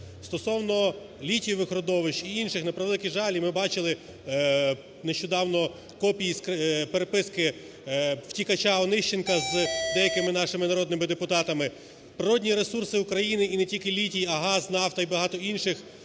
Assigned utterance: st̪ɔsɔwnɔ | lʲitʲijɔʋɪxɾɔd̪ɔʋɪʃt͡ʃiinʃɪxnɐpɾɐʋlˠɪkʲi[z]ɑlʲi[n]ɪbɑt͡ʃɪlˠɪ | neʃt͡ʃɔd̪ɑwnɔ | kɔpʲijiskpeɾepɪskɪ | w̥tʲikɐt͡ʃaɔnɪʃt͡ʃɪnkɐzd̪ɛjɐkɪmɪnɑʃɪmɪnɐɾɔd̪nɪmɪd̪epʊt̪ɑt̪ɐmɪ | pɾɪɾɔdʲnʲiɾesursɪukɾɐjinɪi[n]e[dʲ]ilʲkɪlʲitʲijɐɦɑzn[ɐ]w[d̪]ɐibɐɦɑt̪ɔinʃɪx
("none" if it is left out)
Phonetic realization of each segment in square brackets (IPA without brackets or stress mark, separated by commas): ʒ, m, n, tʲ, ɑ, t̪